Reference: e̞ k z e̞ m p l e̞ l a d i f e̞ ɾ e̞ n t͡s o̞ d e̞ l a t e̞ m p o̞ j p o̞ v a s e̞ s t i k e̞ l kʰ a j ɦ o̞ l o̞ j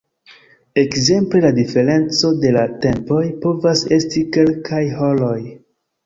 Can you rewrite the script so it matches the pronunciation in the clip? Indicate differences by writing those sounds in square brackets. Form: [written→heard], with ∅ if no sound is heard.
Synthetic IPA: e̞ k z e̞ m p l e̞ l a d i f e̞ ɾ e̞ n t͡s o̞ d e̞ l a t e̞ m p o̞ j p o̞ v a s e̞ s t i k e̞ l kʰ a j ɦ o̞ l o̞ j